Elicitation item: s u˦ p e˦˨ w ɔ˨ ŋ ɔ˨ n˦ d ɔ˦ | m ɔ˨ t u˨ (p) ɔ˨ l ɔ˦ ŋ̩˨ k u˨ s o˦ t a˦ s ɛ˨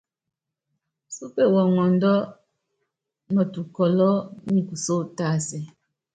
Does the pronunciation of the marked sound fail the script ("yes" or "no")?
yes